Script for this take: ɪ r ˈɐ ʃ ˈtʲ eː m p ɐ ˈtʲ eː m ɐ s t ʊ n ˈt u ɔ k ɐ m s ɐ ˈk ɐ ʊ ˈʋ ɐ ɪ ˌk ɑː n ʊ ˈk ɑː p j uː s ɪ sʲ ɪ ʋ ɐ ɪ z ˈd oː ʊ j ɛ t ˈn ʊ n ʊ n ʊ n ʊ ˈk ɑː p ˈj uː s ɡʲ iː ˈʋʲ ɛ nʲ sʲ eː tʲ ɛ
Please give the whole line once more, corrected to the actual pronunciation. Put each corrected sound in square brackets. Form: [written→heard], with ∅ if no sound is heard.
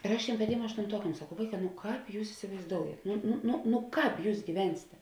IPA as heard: ɪ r ˈɐ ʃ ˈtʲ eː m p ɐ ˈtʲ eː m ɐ [s→ʃ] t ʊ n ˈt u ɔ k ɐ m s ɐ ˈk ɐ ʊ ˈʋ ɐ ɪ ˌk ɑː n ʊ ˈk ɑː p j uː s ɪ sʲ ɪ ʋ ɐ ɪ z ˈd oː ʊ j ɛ t ˈn ʊ n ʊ n ʊ n ʊ ˈk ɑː p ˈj uː s ɡʲ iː ˈʋʲ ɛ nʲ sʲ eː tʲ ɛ